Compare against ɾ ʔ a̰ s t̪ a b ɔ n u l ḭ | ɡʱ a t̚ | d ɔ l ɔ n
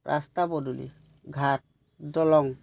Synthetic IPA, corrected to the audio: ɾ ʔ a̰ s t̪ a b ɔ d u l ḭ | ɡʱ a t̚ | d ɔ l ɔ ŋ